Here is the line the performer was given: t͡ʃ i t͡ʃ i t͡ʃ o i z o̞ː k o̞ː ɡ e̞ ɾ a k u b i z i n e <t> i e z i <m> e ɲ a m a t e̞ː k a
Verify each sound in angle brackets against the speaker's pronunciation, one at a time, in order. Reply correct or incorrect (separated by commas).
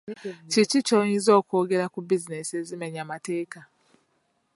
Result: incorrect, correct